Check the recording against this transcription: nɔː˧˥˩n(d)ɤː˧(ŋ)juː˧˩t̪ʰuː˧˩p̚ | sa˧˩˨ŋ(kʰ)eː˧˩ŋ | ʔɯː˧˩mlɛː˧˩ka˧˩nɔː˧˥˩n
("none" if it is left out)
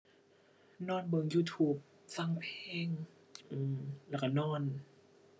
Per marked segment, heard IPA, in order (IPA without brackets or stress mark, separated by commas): b, ŋ, pʰ